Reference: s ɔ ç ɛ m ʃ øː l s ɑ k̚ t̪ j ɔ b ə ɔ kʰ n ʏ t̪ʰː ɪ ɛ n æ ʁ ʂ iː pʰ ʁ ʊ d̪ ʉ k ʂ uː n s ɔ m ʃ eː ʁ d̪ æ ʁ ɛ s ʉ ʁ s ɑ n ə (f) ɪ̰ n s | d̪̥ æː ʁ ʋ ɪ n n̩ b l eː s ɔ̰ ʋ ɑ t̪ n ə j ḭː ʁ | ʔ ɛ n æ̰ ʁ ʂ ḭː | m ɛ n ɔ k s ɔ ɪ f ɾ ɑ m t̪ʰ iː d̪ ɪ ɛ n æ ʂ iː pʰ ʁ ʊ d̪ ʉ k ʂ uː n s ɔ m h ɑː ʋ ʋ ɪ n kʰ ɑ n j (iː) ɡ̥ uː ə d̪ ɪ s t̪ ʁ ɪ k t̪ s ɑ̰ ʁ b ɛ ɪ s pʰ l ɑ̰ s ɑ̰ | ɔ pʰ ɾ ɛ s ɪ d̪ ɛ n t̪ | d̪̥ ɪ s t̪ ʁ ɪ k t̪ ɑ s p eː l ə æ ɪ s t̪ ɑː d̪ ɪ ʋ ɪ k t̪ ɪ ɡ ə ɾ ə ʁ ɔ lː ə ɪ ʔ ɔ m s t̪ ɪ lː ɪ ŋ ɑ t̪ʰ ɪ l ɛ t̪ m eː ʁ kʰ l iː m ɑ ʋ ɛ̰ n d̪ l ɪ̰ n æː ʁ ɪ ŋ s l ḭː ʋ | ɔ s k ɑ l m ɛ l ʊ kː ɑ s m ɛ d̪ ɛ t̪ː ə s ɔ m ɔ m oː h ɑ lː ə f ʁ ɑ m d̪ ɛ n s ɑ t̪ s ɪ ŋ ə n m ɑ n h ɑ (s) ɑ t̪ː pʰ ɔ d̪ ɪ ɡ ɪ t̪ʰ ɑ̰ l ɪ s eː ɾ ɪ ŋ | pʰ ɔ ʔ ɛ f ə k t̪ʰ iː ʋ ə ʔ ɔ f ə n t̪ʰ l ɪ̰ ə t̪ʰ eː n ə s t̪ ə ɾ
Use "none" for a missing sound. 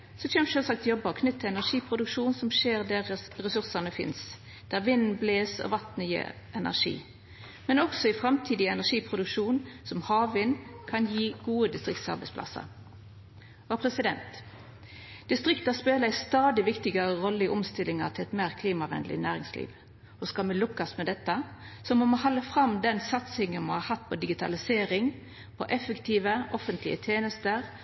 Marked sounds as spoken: f, iː, h

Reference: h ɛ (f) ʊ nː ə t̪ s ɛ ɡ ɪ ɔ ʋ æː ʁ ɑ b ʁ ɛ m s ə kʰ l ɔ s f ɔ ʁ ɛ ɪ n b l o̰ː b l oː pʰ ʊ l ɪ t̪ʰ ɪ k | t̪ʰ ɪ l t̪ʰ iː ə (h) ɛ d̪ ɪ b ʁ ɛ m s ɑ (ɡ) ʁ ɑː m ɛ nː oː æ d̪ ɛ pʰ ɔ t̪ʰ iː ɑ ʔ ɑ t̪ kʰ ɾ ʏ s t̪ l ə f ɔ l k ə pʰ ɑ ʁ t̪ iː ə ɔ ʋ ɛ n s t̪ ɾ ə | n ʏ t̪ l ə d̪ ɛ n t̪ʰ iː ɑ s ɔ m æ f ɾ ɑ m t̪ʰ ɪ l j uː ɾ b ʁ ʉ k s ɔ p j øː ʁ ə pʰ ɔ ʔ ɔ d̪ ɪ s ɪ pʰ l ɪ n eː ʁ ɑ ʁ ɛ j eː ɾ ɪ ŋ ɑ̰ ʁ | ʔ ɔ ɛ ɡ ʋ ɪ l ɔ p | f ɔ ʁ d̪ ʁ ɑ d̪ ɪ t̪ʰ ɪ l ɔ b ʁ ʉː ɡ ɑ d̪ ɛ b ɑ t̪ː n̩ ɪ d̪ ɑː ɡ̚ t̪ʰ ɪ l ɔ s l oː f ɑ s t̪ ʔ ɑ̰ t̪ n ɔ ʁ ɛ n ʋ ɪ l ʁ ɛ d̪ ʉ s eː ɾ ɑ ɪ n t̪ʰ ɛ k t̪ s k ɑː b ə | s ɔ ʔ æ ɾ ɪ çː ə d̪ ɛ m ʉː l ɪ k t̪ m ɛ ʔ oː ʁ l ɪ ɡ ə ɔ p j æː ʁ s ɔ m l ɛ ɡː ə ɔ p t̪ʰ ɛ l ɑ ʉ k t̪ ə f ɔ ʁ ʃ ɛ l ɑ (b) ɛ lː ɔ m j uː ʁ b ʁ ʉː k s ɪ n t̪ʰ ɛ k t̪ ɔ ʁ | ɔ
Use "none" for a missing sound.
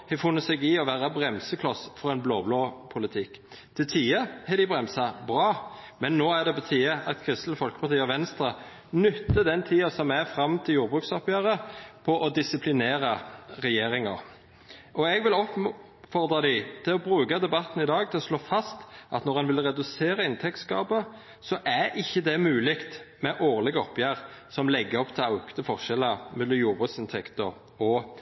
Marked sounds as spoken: f, h, b, m

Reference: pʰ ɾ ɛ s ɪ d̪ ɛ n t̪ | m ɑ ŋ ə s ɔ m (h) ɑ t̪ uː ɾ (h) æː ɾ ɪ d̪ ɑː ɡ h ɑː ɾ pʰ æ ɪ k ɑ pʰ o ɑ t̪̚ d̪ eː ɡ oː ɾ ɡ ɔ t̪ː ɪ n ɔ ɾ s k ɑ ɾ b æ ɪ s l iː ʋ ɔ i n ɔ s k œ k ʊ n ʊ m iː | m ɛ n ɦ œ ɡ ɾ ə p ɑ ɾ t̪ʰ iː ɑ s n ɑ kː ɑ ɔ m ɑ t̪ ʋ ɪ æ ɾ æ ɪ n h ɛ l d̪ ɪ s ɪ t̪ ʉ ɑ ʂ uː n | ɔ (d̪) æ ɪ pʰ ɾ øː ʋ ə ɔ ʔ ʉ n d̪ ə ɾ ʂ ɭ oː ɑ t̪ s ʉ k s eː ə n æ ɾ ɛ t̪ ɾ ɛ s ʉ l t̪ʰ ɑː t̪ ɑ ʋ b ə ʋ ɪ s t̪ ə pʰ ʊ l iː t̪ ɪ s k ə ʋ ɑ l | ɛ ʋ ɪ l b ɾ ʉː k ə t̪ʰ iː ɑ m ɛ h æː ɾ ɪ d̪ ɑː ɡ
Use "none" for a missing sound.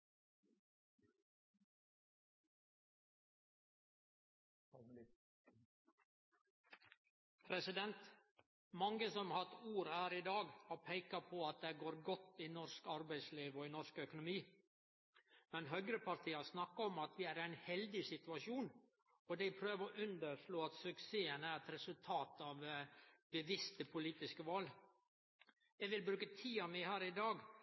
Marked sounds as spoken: h, h, d̪

